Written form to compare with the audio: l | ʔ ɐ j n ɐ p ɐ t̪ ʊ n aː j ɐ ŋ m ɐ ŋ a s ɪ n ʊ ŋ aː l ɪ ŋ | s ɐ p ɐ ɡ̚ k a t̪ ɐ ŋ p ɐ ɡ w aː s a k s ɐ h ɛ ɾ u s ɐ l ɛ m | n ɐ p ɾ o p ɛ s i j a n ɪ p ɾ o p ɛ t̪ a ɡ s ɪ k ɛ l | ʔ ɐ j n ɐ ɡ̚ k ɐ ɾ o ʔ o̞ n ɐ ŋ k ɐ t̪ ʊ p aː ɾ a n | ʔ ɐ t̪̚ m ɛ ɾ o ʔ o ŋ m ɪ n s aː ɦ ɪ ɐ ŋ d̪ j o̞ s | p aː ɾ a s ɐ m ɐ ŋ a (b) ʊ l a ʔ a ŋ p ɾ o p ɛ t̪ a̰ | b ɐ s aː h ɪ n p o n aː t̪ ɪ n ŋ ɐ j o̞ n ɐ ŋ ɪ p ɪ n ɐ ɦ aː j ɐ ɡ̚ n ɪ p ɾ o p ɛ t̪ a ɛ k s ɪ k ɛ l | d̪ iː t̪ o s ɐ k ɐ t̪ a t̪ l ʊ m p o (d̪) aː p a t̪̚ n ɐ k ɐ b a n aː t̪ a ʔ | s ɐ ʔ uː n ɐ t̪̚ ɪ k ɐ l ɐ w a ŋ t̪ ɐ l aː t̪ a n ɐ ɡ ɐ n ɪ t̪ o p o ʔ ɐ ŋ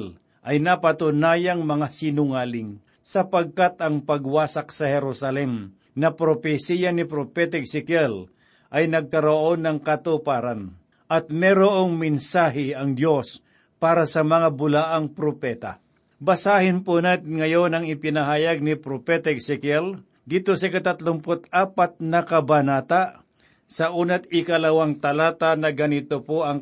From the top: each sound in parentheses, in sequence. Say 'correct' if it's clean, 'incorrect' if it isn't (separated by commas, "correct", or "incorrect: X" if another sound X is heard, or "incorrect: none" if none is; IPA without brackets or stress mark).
correct, incorrect: t̪